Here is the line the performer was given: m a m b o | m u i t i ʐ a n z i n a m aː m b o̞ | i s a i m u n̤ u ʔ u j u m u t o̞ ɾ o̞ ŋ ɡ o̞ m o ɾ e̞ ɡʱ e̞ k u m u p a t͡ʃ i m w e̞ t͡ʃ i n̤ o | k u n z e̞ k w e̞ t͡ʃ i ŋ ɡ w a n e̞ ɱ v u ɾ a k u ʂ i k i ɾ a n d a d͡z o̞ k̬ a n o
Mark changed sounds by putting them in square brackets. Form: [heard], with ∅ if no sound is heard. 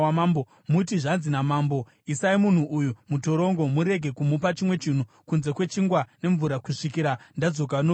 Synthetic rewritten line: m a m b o | m u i t i ʐ a n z i n a m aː m b o̞ | i s a i m u n̤ u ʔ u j u m u t o̞ ɾ o̞ ŋ ɡ o̞ m [u] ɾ e̞ ɡʱ e̞ k u m u p a t͡ʃ i m w e̞ t͡ʃ i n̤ [u] | k u n z e̞ k w e̞ t͡ʃ i ŋ ɡ w a n e̞ ɱ v u ɾ a k u ʂ i k i ɾ a n d a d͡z o̞ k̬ a n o